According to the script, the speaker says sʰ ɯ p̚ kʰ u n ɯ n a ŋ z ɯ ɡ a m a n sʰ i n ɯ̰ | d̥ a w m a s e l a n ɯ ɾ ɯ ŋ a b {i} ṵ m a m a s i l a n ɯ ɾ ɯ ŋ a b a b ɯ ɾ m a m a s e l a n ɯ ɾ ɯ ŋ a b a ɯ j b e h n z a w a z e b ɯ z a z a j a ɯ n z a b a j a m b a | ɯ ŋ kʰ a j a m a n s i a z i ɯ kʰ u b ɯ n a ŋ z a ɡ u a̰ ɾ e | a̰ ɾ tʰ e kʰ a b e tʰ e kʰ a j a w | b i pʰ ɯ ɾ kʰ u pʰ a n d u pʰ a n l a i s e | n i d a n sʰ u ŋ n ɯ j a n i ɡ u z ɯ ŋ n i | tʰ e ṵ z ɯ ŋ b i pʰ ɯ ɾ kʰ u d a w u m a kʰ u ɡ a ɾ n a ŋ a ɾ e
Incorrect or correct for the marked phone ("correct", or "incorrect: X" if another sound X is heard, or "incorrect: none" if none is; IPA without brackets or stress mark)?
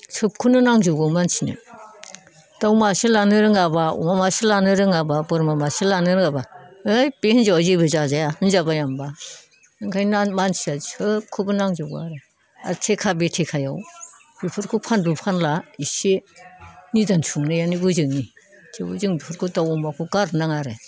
incorrect: a